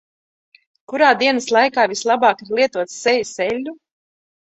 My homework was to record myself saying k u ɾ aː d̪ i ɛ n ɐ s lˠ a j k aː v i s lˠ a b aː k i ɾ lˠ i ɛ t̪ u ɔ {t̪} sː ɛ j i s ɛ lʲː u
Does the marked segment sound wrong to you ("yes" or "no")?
no